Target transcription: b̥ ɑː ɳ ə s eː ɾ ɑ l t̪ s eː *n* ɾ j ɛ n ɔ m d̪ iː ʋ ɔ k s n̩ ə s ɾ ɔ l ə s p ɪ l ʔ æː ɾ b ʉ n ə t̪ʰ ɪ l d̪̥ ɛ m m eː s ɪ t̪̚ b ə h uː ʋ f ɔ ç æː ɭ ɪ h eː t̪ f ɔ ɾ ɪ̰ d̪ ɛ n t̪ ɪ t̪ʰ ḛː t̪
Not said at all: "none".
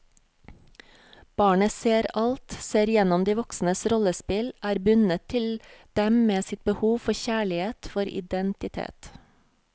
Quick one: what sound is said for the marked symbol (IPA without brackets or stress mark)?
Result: none